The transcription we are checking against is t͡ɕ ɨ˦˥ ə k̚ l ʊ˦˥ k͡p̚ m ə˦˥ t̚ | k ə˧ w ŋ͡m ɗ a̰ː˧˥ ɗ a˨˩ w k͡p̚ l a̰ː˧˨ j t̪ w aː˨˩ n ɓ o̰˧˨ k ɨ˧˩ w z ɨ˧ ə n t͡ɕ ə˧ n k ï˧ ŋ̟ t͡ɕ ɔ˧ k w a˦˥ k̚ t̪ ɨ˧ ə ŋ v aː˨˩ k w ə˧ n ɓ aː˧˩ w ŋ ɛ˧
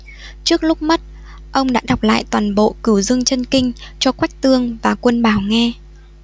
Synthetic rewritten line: t͡ɕ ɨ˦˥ ə k̚ l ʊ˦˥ k͡p̚ m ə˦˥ t̚ | ʔ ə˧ w ŋ͡m ɗ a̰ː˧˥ ɗ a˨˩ w k͡p̚ l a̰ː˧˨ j t̪ w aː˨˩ n ɓ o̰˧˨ k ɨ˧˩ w z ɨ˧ ə ŋ t͡ɕ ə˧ n k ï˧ ŋ̟ t͡ɕ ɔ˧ k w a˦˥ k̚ t̪ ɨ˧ ə ŋ v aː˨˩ k w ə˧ n ɓ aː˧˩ w ŋ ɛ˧